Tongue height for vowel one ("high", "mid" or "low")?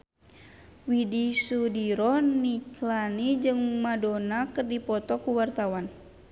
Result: high